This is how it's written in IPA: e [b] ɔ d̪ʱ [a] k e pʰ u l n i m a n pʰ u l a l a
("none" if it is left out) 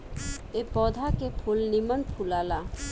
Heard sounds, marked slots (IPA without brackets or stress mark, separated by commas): p, a